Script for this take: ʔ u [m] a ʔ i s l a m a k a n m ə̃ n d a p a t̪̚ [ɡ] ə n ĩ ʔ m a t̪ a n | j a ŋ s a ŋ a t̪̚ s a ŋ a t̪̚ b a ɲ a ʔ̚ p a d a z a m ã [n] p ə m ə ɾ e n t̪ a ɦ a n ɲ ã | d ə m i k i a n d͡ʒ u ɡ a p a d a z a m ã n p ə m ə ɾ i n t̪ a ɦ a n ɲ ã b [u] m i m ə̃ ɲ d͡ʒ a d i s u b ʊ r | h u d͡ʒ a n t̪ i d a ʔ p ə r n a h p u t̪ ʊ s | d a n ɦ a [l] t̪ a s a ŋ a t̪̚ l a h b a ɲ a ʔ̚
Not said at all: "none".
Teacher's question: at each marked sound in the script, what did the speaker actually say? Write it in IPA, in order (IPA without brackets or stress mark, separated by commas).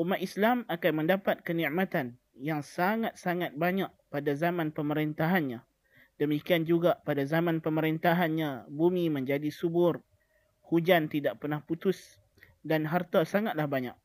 m, k, n, u, r